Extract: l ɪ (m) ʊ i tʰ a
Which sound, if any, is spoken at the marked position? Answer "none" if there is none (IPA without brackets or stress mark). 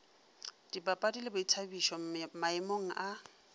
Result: b